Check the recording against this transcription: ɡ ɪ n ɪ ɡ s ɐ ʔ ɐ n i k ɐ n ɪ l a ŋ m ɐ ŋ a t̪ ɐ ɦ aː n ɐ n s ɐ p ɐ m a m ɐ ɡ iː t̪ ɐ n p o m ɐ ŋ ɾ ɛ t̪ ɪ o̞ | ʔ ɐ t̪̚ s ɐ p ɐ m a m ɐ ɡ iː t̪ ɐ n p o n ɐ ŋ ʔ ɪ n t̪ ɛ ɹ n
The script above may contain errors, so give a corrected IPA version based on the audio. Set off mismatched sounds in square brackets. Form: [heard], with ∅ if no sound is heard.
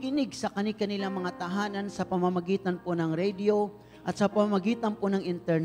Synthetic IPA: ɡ ɪ n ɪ ɡ s ɐ [k] ɐ n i k ɐ n ɪ l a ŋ m ɐ ŋ a t̪ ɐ ɦ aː n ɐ n s ɐ p ɐ m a m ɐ ɡ iː t̪ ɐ n p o [n] ɐ ŋ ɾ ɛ [d̪] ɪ o̞ | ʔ ɐ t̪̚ s ɐ p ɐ m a m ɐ ɡ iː t̪ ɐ n p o n ɐ ŋ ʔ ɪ n t̪ ɛ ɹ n